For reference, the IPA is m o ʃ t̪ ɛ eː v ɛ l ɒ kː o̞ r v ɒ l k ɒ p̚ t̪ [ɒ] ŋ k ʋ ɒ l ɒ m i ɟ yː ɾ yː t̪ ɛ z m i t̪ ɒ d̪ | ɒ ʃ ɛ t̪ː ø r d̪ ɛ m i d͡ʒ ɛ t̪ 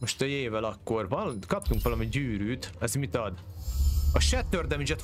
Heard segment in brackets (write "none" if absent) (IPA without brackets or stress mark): u